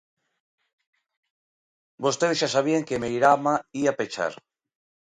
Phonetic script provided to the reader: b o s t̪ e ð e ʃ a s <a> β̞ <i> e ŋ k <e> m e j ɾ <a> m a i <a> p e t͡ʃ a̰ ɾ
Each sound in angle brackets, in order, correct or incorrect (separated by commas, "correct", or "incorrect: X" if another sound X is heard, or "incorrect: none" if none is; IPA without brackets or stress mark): correct, correct, correct, correct, correct